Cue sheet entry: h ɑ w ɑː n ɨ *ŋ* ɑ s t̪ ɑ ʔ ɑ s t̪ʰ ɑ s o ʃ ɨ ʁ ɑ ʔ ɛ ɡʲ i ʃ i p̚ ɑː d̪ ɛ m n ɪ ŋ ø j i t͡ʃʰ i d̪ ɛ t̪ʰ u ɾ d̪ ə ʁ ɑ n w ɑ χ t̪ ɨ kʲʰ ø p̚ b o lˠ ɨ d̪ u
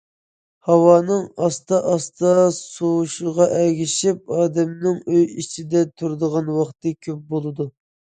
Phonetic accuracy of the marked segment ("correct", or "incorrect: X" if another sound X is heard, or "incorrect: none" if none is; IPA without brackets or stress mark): correct